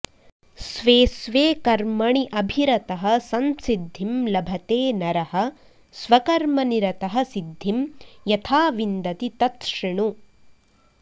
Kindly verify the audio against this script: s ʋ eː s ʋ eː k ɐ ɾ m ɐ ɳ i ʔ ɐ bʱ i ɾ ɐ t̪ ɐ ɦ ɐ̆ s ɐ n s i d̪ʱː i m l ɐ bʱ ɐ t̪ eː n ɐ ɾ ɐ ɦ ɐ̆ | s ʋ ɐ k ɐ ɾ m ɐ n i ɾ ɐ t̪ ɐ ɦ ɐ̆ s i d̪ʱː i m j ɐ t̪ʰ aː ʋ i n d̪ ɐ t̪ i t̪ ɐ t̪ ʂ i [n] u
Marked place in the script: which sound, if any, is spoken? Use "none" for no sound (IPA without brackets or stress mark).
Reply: ɳ